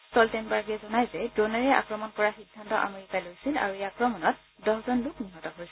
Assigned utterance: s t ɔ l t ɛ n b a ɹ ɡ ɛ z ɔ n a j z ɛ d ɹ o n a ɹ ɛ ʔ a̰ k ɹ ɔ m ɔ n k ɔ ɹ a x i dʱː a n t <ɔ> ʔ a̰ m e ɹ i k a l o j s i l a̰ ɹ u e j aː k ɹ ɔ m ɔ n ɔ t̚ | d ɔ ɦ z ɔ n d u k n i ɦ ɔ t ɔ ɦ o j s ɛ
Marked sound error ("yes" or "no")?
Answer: no